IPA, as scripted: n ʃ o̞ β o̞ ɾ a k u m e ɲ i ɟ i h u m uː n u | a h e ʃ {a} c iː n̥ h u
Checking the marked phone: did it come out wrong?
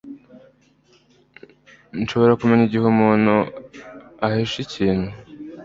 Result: yes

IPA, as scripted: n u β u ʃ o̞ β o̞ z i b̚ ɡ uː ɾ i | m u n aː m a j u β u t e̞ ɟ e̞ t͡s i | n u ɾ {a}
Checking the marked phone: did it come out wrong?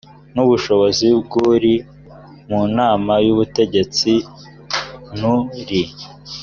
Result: yes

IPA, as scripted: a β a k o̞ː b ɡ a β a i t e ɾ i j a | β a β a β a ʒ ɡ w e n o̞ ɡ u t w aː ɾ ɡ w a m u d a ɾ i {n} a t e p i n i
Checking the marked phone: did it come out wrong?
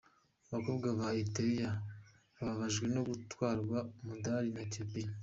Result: no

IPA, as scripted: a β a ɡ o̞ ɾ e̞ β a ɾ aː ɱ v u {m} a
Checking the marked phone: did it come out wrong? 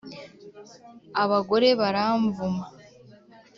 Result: no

